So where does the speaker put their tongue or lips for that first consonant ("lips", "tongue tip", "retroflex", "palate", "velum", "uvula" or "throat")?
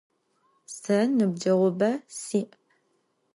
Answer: tongue tip